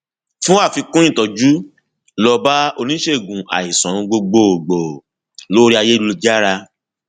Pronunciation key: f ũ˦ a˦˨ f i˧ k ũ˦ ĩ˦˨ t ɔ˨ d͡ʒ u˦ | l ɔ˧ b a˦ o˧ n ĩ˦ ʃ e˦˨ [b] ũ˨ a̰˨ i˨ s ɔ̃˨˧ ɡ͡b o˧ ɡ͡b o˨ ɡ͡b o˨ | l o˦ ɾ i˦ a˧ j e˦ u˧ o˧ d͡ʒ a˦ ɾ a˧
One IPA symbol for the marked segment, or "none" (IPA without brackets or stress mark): ɡ